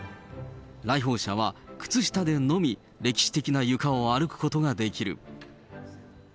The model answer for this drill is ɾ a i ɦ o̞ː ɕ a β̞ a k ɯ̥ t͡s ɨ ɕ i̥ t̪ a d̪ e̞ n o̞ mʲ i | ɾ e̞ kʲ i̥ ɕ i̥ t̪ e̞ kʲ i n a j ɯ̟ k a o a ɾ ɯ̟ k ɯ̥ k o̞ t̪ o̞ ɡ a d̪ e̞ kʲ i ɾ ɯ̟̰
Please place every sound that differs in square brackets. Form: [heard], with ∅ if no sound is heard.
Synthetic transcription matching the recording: ɾ a i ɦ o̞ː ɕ a β̞ a k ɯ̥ t͡s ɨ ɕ i̥ t̪ a d̪ e̞ n o̞ mʲ i | ɾ e̞ kʲ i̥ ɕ i̥ t̪ e̞ kʲ i n a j ɯ̟ k a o a ɾ ɯ̟ k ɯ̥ k o̞ t̪ o̞ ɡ a d̪ e̞ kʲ i ɾ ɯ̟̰